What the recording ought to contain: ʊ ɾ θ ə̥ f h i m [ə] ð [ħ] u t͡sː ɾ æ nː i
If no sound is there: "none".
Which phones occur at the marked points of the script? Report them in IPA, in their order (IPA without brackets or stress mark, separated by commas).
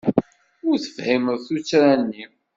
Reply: ə, θ